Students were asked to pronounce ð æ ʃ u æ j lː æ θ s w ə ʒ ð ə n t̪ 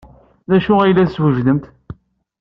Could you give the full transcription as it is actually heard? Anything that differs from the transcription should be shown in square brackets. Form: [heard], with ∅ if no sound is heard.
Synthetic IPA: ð æ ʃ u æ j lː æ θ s w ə ʒ ð ə [m] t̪